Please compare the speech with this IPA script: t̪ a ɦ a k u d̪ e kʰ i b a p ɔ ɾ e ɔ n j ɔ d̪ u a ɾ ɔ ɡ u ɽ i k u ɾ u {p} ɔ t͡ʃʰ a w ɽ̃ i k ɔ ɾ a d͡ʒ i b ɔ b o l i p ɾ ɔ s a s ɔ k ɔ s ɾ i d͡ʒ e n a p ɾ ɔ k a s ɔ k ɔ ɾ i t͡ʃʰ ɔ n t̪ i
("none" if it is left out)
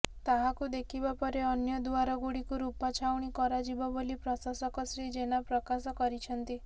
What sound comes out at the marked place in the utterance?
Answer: p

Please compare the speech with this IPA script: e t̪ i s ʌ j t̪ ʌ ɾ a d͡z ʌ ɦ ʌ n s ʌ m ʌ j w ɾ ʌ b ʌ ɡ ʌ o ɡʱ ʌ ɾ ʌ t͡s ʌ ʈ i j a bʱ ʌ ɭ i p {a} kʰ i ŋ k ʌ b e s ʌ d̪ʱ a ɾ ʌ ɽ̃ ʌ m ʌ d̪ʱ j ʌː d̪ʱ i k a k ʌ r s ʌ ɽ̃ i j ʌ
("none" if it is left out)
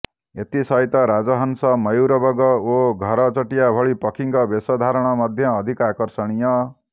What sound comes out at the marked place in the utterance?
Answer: ʌ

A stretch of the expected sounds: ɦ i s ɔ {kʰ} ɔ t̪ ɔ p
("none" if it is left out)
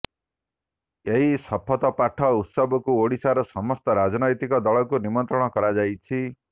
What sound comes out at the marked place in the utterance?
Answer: pʰ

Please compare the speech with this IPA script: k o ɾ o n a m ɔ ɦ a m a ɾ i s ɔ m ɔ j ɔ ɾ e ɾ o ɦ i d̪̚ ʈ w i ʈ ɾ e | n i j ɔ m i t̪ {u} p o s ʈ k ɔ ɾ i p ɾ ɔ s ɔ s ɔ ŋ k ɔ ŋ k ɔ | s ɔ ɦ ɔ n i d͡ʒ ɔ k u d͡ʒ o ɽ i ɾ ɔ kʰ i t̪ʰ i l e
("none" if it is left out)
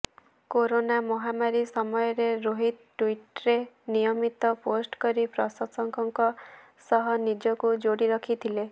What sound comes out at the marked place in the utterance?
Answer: ɔ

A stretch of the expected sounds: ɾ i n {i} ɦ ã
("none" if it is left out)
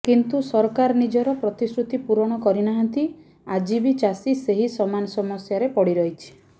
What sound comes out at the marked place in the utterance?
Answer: a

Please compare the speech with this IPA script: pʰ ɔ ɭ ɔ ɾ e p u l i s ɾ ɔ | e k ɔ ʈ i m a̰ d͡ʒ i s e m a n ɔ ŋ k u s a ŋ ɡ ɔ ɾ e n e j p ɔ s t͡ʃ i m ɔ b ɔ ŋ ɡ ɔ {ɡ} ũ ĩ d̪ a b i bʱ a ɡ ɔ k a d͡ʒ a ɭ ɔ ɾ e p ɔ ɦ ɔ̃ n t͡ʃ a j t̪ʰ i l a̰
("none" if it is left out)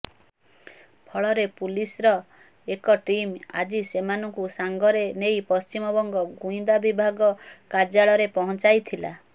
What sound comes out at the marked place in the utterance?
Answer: ɡ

